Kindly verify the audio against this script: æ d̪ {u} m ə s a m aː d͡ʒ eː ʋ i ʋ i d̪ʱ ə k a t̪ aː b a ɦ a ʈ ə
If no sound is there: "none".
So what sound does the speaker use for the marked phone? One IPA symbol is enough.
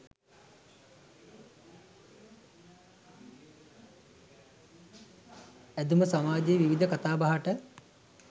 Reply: u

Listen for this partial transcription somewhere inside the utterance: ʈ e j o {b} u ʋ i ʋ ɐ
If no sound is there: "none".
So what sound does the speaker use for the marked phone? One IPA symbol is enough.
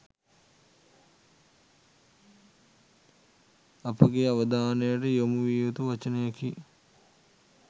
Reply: m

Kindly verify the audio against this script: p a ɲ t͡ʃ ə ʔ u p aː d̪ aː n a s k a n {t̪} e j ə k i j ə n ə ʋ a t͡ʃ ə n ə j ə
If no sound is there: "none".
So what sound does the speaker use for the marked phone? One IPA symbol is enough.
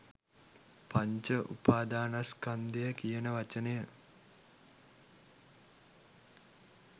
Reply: d̪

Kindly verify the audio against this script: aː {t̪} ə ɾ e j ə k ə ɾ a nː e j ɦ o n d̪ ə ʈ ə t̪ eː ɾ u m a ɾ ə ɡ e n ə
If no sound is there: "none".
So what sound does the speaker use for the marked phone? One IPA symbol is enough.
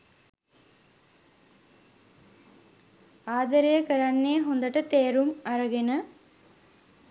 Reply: d̪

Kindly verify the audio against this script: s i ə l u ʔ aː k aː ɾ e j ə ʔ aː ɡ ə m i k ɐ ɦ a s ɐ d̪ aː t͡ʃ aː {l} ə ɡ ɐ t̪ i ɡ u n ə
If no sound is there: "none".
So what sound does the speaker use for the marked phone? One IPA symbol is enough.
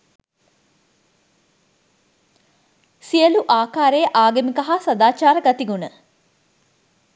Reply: ɾ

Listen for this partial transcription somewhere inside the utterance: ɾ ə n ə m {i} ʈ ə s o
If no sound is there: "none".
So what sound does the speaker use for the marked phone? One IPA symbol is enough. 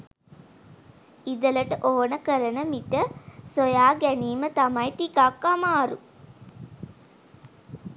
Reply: i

